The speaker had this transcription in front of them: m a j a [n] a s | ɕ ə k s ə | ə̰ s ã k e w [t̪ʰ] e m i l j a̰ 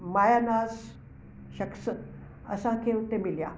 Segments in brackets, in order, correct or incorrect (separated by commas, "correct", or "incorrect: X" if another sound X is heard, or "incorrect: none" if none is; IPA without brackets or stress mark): correct, incorrect: t̪